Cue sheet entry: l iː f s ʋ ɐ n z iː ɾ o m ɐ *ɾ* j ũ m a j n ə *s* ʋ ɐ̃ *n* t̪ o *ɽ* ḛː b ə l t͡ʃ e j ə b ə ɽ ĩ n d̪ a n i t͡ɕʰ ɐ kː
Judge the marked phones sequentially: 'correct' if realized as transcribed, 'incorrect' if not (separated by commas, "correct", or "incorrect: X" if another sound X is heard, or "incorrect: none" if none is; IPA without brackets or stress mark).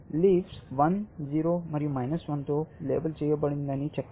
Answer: correct, correct, correct, incorrect: l